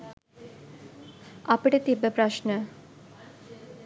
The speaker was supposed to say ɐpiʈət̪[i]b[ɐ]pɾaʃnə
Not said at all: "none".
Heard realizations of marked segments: i, ə

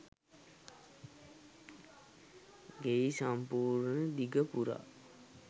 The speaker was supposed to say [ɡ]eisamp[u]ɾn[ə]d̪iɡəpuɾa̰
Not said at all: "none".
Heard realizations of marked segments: ɡ, uː, ə

